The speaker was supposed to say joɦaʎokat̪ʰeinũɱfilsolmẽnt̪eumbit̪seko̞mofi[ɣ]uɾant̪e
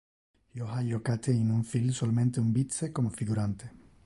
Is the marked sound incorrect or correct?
correct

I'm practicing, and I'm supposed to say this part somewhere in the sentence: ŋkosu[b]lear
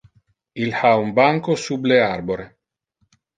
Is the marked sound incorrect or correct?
correct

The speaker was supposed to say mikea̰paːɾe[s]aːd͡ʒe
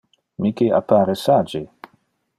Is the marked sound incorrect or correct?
correct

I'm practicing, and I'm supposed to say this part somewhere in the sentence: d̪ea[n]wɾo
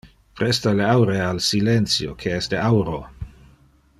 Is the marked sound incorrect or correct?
incorrect: none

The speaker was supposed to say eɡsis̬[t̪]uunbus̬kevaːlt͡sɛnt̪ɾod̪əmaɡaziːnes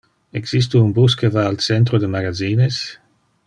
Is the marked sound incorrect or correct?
correct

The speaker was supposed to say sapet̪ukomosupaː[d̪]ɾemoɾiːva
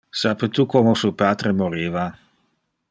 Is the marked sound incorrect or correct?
incorrect: t̪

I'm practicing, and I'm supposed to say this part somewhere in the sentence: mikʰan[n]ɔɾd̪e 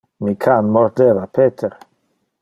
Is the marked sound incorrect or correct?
incorrect: m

